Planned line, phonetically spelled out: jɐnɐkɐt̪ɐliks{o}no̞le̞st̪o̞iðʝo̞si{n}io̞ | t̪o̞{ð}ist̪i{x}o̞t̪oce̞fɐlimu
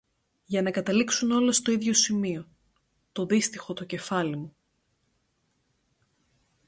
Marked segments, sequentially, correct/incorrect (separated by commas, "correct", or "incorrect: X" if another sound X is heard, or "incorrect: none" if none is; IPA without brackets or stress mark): incorrect: u, incorrect: m, correct, correct